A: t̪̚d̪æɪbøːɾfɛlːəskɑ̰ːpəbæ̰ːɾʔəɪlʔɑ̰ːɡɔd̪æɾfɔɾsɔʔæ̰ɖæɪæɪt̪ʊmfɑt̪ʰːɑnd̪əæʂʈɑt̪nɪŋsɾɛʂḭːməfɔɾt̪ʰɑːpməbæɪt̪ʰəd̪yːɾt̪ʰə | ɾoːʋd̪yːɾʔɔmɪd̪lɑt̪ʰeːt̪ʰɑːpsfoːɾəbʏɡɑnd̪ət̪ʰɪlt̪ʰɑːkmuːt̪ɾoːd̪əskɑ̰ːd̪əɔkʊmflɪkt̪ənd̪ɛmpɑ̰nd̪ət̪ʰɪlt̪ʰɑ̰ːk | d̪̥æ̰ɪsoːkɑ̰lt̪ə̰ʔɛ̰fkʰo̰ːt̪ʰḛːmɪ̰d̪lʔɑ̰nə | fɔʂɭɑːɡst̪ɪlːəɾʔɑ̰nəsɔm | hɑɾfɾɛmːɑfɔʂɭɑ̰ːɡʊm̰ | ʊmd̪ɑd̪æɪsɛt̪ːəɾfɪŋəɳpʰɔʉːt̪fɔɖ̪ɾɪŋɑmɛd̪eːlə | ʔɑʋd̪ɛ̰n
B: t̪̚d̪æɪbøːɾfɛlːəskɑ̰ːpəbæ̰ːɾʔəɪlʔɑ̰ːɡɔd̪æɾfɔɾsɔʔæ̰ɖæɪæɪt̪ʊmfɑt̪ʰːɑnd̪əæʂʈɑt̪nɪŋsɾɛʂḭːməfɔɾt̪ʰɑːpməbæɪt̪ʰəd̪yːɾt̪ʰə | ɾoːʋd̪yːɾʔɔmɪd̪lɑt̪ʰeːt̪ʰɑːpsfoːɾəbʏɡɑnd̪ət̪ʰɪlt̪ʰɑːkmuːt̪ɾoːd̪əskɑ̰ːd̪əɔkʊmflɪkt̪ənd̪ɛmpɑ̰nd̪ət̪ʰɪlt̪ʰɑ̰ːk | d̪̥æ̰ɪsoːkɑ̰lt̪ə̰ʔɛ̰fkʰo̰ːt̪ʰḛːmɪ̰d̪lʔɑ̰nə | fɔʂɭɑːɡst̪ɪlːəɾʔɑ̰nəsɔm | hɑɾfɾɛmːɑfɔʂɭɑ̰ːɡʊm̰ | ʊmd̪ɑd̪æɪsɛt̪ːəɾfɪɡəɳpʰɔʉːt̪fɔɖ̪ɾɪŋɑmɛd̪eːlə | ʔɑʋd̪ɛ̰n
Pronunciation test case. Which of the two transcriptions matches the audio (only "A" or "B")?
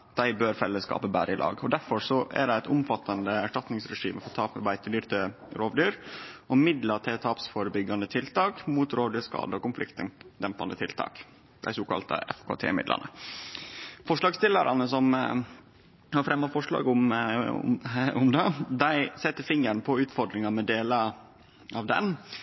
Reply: A